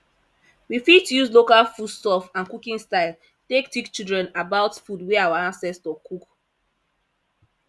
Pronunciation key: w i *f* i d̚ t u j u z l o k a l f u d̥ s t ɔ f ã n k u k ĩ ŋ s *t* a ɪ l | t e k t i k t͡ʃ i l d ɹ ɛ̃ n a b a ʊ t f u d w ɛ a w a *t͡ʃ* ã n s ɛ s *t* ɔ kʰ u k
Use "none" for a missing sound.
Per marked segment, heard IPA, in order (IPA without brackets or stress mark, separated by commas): f, t, none, t